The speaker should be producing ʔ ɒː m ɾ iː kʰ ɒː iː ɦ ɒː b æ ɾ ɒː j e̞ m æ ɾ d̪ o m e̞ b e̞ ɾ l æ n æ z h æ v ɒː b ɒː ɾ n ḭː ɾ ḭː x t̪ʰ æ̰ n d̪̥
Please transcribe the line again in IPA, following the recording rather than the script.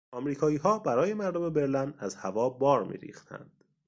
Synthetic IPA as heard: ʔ ɒː m ɾ iː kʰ ɒː iː ɦ ɒː b æ ɾ ɒː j e̞ m æ ɾ d̪ o m e̞ b e̞ ɾ l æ n æ z h æ v ɒː b ɒː ɾ m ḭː ɾ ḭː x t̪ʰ æ̰ n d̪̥